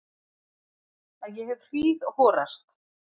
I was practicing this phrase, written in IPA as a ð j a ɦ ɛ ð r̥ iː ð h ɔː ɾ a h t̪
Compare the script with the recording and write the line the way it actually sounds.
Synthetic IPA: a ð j ɛ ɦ ɛ v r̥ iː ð h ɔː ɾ a s t̪